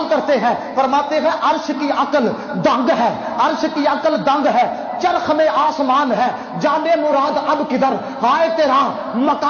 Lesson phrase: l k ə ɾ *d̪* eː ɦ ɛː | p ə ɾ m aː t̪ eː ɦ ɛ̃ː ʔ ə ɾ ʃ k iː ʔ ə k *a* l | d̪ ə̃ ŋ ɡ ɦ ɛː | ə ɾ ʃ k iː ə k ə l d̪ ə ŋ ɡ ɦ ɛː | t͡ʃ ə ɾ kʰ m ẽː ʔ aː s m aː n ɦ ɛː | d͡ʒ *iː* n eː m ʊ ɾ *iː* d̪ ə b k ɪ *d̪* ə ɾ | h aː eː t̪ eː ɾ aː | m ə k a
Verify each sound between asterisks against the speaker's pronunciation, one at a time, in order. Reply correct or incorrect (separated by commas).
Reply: incorrect, incorrect, incorrect, incorrect, correct